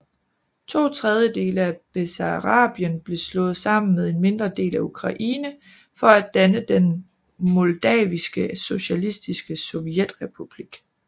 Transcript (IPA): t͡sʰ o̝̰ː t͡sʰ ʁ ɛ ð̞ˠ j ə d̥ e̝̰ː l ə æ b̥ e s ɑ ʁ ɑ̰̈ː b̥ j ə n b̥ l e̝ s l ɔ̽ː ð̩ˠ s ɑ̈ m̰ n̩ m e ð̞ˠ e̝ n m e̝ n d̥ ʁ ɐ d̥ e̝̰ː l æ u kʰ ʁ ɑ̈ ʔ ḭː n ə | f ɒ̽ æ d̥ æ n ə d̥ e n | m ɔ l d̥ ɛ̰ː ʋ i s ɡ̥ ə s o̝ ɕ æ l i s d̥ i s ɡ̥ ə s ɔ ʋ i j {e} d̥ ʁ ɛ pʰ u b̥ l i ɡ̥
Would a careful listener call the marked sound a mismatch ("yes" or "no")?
no